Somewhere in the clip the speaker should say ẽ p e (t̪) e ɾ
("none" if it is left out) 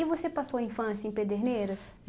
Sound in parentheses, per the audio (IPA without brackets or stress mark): d̪